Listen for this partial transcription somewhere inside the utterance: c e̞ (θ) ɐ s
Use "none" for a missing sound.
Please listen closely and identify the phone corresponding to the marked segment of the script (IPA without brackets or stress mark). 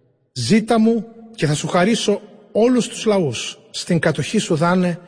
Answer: θ